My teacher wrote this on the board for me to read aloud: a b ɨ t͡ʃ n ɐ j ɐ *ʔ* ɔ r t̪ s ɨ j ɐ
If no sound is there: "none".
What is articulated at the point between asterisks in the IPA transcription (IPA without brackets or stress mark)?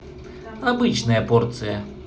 p